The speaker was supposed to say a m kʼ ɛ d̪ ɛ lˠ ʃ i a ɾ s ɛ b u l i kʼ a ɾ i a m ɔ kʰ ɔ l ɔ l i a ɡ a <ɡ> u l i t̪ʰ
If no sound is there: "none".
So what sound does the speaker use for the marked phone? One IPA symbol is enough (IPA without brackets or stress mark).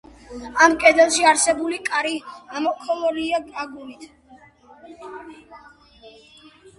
ɡ